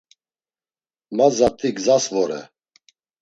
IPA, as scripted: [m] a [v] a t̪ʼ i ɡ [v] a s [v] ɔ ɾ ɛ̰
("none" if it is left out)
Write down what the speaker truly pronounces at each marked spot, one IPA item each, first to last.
m, z, z, v

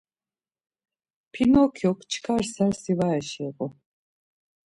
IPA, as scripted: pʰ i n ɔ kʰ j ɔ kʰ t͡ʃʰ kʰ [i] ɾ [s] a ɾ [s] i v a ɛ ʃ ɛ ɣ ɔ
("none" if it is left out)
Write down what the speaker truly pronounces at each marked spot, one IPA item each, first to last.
a, s, s

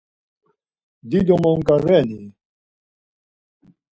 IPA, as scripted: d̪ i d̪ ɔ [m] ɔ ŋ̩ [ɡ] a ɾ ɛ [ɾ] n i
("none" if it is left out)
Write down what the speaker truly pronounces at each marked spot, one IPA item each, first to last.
m, k, none

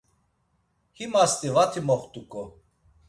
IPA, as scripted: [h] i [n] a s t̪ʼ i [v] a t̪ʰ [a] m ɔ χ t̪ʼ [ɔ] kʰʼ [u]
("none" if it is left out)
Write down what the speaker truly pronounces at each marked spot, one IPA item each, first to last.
h, m, v, i, u, ɔ

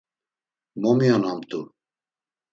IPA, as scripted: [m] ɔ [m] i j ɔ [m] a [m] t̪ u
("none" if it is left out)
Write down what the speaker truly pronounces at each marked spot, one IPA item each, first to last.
m, m, n, m

